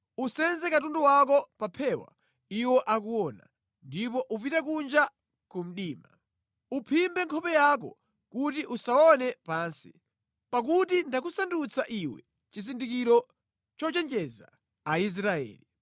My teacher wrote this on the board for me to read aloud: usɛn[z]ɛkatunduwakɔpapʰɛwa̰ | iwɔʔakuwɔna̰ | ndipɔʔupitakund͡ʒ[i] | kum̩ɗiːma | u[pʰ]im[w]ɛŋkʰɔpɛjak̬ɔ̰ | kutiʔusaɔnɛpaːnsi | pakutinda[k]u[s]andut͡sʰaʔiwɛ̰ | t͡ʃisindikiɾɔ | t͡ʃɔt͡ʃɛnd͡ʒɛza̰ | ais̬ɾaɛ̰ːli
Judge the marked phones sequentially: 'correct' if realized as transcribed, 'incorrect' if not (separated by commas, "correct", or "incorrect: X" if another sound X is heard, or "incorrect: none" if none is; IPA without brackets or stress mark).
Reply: correct, incorrect: a, correct, incorrect: b, correct, correct